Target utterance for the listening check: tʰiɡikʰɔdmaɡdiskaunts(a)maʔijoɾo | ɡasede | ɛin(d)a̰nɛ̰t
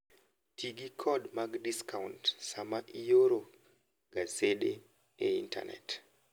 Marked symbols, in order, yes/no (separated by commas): yes, no